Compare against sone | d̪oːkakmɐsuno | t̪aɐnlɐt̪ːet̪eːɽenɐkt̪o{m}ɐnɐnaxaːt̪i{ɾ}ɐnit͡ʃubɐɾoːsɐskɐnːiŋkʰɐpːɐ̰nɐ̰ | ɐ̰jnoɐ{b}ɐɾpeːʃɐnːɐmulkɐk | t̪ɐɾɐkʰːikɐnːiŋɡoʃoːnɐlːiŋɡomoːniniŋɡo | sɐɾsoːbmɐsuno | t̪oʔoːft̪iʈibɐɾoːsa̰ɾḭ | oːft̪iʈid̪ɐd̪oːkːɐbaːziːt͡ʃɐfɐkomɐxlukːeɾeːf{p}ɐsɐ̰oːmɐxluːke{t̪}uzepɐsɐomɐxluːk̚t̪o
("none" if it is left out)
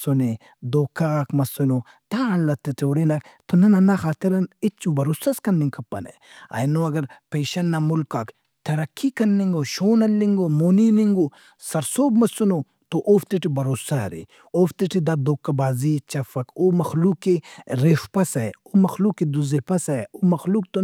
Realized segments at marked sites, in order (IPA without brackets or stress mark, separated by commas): n, ɾ, ɡ, p, d̪